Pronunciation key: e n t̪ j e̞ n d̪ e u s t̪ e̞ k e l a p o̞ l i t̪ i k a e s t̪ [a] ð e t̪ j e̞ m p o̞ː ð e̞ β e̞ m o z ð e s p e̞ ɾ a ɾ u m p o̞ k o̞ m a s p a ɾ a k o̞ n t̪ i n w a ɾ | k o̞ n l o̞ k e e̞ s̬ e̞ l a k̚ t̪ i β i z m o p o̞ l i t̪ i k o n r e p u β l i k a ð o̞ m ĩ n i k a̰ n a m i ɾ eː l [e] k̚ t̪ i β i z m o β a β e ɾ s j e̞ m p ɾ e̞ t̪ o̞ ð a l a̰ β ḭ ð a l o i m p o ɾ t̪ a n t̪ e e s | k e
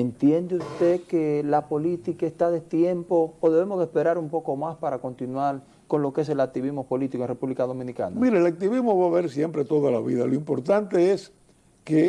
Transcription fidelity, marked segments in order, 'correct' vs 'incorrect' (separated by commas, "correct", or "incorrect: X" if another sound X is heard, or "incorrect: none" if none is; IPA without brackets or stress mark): correct, incorrect: a